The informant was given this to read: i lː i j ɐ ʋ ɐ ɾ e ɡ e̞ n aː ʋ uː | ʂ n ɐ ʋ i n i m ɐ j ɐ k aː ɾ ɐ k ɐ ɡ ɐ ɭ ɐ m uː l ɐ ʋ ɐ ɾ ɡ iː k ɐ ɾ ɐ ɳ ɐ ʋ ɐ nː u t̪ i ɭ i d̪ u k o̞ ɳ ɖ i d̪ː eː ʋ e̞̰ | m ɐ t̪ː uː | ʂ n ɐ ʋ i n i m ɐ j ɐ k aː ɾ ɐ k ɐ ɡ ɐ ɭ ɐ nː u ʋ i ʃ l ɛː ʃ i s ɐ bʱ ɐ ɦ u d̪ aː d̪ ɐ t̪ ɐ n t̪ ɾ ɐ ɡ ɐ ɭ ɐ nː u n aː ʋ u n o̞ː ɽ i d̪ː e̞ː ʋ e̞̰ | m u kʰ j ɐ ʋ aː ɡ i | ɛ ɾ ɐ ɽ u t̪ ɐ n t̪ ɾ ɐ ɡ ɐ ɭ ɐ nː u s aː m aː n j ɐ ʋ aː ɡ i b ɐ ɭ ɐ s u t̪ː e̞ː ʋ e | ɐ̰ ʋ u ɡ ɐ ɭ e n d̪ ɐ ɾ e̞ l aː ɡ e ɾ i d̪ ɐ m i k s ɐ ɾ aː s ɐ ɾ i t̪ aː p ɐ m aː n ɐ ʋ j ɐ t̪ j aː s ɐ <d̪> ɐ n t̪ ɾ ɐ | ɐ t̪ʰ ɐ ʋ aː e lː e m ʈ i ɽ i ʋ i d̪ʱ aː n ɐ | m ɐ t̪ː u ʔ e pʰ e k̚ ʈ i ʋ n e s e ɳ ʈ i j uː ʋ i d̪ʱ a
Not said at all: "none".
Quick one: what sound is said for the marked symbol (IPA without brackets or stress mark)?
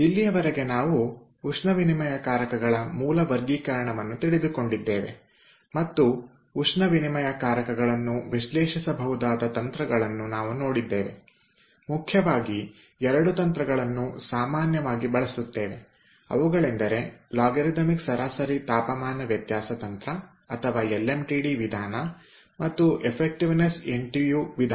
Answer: t̪